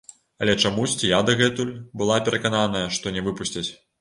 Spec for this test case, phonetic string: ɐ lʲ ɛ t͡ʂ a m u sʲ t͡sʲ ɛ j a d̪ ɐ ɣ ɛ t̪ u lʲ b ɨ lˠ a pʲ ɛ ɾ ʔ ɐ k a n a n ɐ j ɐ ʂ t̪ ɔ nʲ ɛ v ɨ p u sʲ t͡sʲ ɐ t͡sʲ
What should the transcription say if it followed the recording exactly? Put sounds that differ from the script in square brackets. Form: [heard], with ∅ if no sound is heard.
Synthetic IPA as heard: ɐ lʲ ɛ t͡ʂ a m u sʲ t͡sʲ [i] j a d̪ ɐ ɣ ɛ t̪ u lʲ b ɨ lˠ a pʲ ɛ ɾ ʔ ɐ k a n a n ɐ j ɐ ʂ t̪ ɔ nʲ ɛ v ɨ p u sʲ t͡sʲ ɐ t͡sʲ